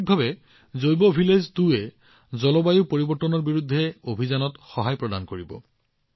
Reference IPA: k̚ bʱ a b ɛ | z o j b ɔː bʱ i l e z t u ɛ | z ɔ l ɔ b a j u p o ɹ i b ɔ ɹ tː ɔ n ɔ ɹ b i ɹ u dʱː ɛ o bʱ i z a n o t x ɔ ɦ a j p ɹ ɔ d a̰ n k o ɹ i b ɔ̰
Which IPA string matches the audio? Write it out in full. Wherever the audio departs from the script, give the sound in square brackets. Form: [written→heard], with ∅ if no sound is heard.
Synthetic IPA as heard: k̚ bʱ a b ɛ | z o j b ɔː bʱ i l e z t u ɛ | z ɔ l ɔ b a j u p o ɹ i b ɔ ɹ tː ɔ n ɔ ɹ b i ɹ u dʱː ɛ o bʱ i z a n [o→ɔ] t x ɔ ɦ a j p ɹ ɔ d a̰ n k o ɹ i b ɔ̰